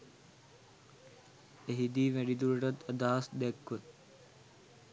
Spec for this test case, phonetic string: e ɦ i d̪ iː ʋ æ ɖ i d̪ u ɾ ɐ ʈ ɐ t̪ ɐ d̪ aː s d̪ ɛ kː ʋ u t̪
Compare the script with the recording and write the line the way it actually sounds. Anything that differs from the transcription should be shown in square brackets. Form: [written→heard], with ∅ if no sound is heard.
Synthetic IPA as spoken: e ɦ i d̪ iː ʋ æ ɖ i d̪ u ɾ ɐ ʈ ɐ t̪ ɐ d̪ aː s d̪ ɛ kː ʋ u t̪